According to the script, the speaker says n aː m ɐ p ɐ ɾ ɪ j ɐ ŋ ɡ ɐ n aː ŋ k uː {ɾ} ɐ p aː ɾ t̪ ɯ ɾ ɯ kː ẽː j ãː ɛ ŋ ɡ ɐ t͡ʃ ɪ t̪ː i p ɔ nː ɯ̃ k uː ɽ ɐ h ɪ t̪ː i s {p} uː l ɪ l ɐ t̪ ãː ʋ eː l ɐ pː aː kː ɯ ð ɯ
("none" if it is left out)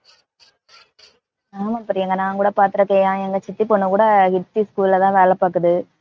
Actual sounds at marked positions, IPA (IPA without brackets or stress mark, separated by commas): ɽ, k